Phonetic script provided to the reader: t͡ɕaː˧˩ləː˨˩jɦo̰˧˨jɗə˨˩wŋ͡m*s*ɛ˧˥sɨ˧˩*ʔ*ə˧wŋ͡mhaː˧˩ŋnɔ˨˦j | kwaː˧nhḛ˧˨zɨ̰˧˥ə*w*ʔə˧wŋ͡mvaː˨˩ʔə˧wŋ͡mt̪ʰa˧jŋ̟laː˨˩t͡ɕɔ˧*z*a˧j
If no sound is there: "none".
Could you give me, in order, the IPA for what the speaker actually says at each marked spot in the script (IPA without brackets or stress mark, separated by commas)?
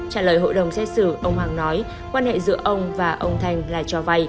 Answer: s, ʔ, none, v